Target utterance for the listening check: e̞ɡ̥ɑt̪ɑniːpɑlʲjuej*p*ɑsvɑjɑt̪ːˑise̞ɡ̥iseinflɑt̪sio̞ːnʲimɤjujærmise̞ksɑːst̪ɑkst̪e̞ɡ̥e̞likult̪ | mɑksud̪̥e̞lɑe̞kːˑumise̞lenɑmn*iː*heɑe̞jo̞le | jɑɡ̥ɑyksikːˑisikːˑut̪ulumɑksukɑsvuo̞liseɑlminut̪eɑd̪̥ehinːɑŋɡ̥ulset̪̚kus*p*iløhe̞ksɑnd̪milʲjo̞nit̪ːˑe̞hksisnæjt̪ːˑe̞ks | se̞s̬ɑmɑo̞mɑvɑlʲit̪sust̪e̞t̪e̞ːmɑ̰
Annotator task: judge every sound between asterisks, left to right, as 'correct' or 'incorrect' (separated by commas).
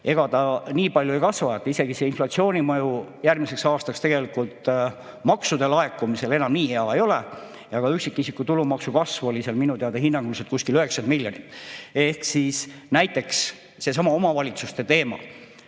incorrect, correct, incorrect